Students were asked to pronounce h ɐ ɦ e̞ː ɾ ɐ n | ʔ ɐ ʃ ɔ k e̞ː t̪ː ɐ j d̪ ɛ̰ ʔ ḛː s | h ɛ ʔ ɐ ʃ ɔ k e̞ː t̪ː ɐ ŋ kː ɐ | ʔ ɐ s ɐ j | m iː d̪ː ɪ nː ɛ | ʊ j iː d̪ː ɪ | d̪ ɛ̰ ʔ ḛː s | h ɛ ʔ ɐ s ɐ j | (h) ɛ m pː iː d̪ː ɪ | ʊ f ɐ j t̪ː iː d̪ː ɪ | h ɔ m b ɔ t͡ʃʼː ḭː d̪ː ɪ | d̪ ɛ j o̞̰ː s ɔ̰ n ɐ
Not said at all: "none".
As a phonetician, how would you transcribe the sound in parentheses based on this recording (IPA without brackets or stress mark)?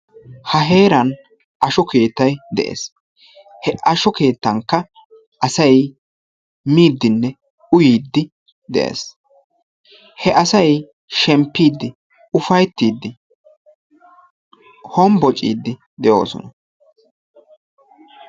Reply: ʃ